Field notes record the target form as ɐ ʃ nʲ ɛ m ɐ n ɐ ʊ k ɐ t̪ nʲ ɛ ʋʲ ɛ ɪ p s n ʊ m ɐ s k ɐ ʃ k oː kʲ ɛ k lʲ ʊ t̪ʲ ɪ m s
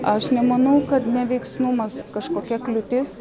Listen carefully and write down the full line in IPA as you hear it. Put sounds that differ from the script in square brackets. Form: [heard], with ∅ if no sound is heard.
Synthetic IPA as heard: ɐ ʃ nʲ ɛ m ɐ n ɐ ʊ k ɐ t̪ nʲ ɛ ʋʲ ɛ ɪ [k] s n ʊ m ɐ s k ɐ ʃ k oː kʲ ɛ k lʲ ʊ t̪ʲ ɪ [∅] s